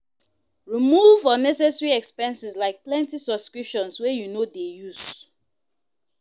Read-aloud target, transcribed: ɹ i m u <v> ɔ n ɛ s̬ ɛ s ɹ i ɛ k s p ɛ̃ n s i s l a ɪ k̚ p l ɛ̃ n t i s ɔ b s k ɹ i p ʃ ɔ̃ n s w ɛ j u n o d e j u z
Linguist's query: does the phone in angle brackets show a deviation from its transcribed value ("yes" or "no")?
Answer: no